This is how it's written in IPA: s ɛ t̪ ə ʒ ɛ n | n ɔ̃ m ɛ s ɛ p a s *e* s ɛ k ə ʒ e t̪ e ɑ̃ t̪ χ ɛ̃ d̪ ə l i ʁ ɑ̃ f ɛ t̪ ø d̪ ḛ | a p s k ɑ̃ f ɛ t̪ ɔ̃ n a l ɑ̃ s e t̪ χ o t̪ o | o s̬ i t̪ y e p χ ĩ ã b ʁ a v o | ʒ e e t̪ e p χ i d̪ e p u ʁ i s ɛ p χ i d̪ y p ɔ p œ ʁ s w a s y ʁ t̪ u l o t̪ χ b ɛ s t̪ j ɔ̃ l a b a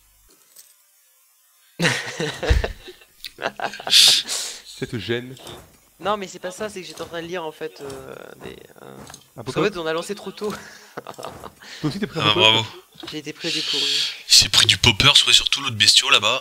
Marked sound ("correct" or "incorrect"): incorrect